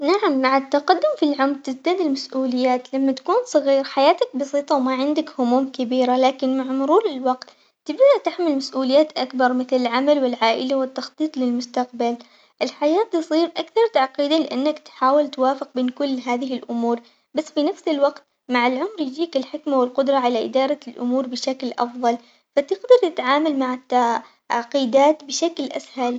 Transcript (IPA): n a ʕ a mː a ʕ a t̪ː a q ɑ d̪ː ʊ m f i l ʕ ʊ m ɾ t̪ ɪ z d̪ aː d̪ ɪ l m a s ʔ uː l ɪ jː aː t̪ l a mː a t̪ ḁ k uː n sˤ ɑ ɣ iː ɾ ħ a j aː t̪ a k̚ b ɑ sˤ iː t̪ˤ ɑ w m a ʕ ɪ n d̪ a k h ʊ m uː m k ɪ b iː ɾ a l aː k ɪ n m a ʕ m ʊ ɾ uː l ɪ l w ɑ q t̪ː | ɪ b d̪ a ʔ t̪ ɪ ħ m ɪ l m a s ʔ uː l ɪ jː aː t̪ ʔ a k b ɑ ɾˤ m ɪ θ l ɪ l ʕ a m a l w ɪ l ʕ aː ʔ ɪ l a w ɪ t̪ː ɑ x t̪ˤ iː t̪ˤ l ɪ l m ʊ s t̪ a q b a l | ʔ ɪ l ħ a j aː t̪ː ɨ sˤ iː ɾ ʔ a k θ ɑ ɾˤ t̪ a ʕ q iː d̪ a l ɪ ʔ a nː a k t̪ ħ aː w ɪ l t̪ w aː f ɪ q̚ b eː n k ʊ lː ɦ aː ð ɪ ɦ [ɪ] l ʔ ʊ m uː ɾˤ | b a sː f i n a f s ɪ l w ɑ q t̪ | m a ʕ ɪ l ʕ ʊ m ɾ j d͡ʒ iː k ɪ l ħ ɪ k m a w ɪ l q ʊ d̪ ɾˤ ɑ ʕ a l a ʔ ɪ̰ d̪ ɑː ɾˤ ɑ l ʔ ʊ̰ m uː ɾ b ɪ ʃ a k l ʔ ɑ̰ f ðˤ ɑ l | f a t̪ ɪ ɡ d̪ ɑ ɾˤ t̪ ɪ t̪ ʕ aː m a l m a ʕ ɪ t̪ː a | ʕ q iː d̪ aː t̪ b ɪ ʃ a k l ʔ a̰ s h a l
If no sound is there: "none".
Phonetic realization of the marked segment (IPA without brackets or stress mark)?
ɪ